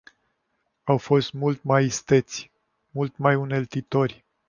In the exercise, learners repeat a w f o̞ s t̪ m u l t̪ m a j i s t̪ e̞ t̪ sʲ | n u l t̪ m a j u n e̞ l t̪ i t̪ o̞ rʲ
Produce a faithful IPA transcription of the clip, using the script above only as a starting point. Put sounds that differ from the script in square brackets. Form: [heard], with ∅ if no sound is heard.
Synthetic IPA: a w f o̞ s t̪ m u l t̪ m a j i s t̪ e̞ t̪ sʲ | [m] u l t̪ m a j u n e̞ l t̪ i t̪ o̞ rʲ